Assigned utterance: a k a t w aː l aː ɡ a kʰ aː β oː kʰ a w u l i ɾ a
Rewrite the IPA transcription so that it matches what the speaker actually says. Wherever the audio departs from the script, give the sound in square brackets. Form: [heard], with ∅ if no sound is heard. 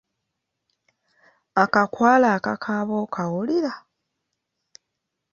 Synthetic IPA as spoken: a k a [k] w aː l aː [k] a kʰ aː β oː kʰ a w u l i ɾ a